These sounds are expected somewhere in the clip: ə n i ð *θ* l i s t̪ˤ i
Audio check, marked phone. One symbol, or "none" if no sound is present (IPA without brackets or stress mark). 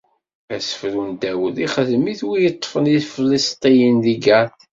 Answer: f